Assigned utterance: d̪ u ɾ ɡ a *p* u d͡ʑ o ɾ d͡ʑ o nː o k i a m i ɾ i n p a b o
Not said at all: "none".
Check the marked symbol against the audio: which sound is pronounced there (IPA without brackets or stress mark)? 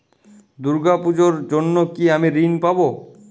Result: p